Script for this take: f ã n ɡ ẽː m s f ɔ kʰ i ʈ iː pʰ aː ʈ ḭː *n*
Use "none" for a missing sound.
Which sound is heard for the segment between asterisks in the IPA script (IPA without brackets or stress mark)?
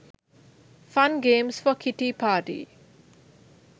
none